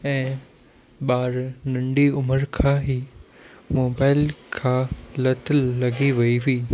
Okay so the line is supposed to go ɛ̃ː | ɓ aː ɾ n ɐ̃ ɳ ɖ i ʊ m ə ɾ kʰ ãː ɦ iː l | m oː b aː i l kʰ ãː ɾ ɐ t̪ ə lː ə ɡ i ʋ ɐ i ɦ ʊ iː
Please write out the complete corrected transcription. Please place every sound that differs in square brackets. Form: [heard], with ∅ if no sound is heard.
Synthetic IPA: ɛ̃ː | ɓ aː ɾ n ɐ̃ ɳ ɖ i ʊ m ə ɾ kʰ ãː ɦ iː [∅] | m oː b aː [ɪ] l kʰ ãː [l] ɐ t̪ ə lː [ɐ] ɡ i ʋ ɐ i ɦ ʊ iː

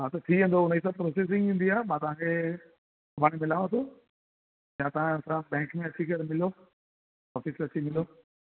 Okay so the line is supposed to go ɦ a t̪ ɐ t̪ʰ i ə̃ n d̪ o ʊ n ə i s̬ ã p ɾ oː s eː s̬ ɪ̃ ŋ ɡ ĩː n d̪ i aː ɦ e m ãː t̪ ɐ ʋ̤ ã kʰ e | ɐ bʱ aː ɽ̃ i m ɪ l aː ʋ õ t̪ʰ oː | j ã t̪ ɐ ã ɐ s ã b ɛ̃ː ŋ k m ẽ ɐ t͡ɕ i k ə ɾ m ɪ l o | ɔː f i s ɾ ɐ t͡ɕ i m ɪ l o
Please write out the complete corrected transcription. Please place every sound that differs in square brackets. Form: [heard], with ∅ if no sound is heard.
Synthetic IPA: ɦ a t̪ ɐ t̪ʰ i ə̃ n d̪ o ʊ n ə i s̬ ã p ɾ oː s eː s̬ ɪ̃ ŋ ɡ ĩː n d̪ i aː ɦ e m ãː t̪ ɐ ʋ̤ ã kʰ e | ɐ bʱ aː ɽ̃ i m ɪ l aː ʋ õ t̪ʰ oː | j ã t̪ ɐ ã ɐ s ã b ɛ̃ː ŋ k m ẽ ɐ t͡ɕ i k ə ɾ m ɪ l o | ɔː f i s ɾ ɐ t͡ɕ i m ɪ l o

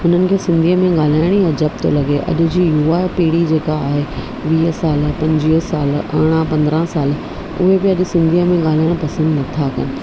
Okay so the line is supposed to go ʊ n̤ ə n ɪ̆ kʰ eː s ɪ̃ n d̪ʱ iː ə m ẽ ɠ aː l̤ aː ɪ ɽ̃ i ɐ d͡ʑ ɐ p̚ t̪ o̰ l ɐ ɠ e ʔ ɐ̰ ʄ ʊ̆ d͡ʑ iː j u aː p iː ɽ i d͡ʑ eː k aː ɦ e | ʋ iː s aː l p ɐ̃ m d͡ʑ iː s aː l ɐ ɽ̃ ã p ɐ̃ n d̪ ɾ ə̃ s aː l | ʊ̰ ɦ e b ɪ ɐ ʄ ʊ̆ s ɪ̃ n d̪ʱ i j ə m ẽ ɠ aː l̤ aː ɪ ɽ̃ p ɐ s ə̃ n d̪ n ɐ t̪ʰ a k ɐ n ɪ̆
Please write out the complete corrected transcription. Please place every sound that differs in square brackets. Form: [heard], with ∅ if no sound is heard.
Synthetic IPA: ʊ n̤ ə n ɪ̆ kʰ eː s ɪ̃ n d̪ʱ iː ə m ẽ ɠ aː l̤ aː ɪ ɽ̃ i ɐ d͡ʑ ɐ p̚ t̪ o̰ l ɐ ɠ e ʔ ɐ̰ ʄ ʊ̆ d͡ʑ iː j u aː p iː ɽ i d͡ʑ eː k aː ɦ e | ʋ iː s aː l p ɐ̃ [ɲ] d͡ʑ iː s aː l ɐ ɽ̃ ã p ɐ̃ n d̪ ɾ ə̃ s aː l | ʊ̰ ɦ e b ɪ ɐ ʄ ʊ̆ s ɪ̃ n d̪ʱ i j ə m ẽ ɠ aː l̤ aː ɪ ɽ̃ p ɐ s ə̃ n d̪ n ɐ t̪ʰ a k ɐ n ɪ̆

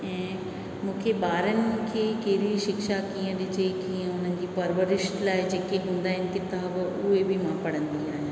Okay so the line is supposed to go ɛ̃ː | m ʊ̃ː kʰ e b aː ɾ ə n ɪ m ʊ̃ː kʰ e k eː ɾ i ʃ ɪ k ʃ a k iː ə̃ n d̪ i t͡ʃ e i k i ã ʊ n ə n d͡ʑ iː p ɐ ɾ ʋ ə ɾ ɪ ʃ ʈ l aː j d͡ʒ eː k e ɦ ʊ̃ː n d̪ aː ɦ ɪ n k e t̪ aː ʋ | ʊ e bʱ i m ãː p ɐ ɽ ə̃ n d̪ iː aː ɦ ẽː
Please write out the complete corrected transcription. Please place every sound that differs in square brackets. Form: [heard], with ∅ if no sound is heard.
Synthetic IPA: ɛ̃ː | m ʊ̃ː kʰ e b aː ɾ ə n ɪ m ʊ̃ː kʰ e k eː ɾ i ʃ ɪ k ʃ a k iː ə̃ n d̪ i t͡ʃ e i k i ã ʊ n ə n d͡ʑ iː p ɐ ɾ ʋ ə ɾ ɪ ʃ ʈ l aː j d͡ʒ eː k e ɦ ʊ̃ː n d̪ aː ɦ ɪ n k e t̪ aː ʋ | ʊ e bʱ i m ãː p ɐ ɽ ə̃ n d̪ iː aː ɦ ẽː

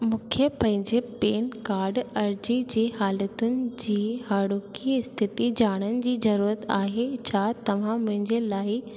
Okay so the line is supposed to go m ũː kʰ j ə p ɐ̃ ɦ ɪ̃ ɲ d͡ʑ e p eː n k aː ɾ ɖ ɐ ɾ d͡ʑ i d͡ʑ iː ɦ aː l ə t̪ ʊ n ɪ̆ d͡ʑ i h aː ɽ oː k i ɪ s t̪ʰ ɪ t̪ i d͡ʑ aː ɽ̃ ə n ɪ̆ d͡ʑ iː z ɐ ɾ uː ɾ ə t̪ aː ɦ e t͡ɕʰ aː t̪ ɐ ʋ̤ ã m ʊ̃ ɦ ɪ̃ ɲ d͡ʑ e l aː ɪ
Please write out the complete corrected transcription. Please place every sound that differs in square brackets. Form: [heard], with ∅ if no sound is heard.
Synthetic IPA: m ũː kʰ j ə p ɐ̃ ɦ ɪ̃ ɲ d͡ʑ e p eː n k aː ɾ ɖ ɐ ɾ d͡ʑ i d͡ʑ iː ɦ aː l ə t̪ ʊ n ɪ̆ d͡ʑ [iː] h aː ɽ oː k i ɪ s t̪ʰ ɪ t̪ i d͡ʑ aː ɽ̃ ə n ɪ̆ d͡ʑ iː z ɐ ɾ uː ɾ ə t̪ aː ɦ e t͡ɕʰ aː t̪ ɐ ʋ̤ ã m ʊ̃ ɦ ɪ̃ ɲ d͡ʑ e l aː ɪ

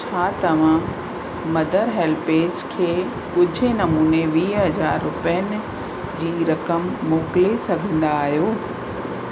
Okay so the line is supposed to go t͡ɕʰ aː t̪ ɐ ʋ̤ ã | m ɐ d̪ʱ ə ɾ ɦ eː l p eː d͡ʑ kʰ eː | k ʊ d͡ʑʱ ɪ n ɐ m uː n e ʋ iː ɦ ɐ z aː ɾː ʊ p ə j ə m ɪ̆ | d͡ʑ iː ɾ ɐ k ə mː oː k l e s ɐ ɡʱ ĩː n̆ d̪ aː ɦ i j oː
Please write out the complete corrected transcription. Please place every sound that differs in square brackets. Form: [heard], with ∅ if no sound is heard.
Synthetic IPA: t͡ɕʰ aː t̪ ɐ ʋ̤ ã | m ɐ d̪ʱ ə ɾ ɦ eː l p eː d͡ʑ kʰ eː | k ʊ d͡ʑʱ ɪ n ɐ m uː n e ʋ iː ɦ ɐ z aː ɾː ʊ p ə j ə [n] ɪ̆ | d͡ʑ iː ɾ ɐ k ə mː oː k l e s ɐ ɡʱ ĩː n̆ d̪ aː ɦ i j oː

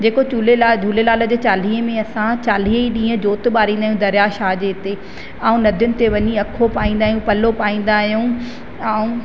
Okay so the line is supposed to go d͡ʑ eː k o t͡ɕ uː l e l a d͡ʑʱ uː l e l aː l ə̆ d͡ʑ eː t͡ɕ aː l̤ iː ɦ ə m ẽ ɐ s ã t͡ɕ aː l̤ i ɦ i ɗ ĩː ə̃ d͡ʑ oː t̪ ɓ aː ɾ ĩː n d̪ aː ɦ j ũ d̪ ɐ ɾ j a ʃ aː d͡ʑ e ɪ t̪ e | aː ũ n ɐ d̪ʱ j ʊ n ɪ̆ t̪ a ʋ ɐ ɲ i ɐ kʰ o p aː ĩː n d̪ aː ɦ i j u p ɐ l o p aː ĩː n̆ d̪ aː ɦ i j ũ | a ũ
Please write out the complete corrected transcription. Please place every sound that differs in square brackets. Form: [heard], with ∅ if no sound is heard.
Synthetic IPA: d͡ʑ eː k o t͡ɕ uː l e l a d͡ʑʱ uː l e l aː l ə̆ d͡ʑ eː t͡ɕ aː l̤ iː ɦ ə m ẽ ɐ s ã t͡ɕ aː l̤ i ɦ i ɗ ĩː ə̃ d͡ʑ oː t̪ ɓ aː ɾ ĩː n d̪ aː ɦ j ũ d̪ ɐ ɾ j a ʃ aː d͡ʑ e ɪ t̪ e | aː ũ n ɐ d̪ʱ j ʊ n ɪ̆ t̪ [e] ʋ ɐ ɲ i ɐ kʰ o p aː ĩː n d̪ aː ɦ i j [ũ] p ɐ l o p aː ĩː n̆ d̪ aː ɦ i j ũ | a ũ

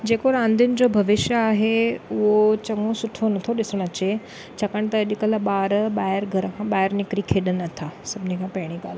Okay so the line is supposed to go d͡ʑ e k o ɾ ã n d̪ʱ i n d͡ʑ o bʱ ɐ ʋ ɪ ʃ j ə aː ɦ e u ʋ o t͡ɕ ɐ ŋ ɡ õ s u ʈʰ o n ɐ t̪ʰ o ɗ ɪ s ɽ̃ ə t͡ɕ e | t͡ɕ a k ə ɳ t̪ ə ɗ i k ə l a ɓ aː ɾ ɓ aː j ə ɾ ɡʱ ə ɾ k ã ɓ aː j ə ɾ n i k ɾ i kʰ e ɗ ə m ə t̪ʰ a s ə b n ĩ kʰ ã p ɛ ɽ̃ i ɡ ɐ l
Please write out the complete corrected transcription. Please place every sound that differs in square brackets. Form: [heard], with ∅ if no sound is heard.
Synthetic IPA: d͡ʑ e k o ɾ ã n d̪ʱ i n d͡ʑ o bʱ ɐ ʋ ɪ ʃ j ə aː ɦ e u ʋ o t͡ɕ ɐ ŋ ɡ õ s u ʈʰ o n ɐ t̪ʰ o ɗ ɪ s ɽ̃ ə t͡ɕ e | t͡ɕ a k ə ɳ t̪ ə ɗ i k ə l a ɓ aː ɾ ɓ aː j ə ɾ ɡʱ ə ɾ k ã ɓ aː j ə ɾ n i k ɾ i kʰ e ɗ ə [n] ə t̪ʰ a s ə b n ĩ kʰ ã p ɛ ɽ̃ i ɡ [a] l

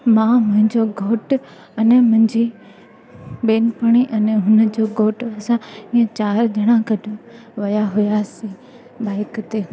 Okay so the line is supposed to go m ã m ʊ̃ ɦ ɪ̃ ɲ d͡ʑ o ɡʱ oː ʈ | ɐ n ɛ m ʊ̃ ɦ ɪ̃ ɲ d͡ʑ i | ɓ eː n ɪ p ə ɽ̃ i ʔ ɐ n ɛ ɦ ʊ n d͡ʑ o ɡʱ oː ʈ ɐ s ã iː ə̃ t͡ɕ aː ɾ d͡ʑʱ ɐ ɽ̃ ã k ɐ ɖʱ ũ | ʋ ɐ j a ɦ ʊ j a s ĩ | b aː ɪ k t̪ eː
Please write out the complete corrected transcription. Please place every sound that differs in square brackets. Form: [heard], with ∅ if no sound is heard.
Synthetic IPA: m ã m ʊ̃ ɦ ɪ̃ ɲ d͡ʑ o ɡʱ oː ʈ | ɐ n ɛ m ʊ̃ ɦ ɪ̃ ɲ d͡ʑ i | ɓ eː n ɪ p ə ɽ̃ i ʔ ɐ n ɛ ɦ ʊ n d͡ʑ o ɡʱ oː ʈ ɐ s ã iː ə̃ t͡ɕ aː ɾ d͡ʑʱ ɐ ɽ̃ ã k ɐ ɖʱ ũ | ʋ ɐ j a ɦ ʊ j a s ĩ | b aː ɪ k t̪ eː

